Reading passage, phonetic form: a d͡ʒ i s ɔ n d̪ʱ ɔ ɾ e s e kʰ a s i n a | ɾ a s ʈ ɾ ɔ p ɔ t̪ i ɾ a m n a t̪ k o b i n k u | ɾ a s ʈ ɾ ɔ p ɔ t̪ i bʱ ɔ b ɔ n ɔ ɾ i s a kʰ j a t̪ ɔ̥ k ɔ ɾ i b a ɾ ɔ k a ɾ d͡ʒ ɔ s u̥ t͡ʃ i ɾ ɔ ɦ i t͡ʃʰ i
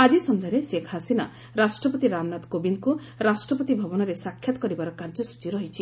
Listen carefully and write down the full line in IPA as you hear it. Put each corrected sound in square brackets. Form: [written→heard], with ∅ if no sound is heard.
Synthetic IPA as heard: a d͡ʒ i s ɔ n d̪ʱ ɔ ɾ e s e kʰ a s i n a | ɾ a s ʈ ɾ ɔ p ɔ t̪ i ɾ a m n a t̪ k o b i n k u | ɾ a s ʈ ɾ ɔ p ɔ t̪ i bʱ ɔ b ɔ n ɔ ɾ [i→e] s a kʰ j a t̪ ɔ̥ k ɔ ɾ i b a ɾ ɔ k a ɾ d͡ʒ ɔ s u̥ t͡ʃ i ɾ ɔ ɦ i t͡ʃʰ i

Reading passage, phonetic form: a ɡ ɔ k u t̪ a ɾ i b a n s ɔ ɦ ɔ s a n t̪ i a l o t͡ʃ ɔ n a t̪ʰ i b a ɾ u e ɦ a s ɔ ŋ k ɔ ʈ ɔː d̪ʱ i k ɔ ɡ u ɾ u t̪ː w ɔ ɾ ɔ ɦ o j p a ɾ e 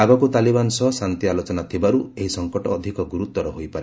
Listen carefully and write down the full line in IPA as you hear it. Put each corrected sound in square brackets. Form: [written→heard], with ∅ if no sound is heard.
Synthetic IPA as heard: a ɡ ɔ k u t̪ a [ɾ→l] i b a n s ɔ ɦ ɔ s a n t̪ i a l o t͡ʃ ɔ n a t̪ʰ i b a ɾ u e ɦ [a→i] s ɔ ŋ k ɔ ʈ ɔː d̪ʱ i k ɔ ɡ u ɾ u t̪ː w ɔ ɾ ɔ ɦ o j p a ɾ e

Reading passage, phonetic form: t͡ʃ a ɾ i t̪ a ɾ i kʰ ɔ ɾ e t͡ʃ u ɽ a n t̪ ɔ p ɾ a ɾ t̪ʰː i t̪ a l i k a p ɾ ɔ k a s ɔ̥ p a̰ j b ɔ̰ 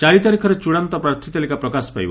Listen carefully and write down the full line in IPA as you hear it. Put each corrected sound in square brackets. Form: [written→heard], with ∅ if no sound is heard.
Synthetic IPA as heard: t͡ʃ a ɾ i t̪ a ɾ i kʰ ɔ ɾ e t͡ʃ u ɽ a n t̪ ɔ p ɾ a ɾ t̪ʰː i t̪ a l i k a p ɾ ɔ k a s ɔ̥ p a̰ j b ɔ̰

